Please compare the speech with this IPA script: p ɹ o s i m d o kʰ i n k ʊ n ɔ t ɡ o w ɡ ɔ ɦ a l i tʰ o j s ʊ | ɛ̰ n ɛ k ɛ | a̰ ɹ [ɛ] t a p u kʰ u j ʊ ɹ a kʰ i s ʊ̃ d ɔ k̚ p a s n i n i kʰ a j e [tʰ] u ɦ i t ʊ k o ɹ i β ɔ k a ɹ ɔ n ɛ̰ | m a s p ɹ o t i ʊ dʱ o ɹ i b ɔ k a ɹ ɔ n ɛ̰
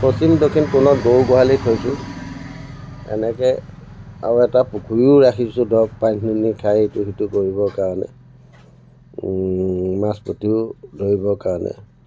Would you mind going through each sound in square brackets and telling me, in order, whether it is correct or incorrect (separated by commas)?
correct, incorrect